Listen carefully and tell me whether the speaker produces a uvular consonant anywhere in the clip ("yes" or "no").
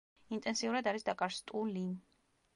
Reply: no